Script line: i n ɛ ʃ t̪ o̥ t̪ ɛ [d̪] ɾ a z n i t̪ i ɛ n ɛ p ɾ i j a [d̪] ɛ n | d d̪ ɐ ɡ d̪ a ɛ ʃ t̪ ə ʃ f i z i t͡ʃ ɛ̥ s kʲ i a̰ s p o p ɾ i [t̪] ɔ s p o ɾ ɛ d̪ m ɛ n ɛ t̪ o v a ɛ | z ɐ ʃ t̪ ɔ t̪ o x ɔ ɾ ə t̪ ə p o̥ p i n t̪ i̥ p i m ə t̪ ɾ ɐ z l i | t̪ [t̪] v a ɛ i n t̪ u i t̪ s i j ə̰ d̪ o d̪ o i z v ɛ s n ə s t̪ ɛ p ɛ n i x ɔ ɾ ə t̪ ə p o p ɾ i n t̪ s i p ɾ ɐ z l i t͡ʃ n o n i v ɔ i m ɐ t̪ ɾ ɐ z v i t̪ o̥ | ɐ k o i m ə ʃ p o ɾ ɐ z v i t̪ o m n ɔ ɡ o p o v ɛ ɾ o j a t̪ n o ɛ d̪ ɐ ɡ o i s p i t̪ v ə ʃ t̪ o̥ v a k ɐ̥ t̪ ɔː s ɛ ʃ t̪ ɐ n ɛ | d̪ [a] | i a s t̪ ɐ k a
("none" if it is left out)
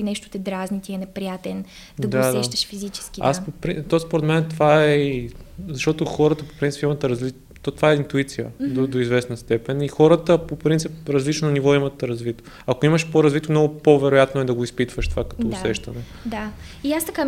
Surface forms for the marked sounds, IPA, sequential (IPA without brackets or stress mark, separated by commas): d̪, t̪, t̪, t̪, a